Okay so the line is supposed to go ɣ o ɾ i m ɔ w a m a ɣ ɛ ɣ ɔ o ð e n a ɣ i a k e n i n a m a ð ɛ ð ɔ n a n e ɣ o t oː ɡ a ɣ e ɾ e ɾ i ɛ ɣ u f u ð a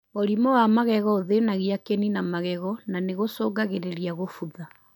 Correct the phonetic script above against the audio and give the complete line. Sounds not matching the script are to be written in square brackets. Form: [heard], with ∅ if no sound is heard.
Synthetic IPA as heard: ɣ o ɾ i m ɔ w a m a ɣ ɛ ɣ ɔ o ð e n a ɣ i a k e n i n a m a [ɣ] ɛ [ɣ] ɔ n a n e ɣ o [s] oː ɡ a ɣ e ɾ e ɾ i [a] ɣ [o] f u ð a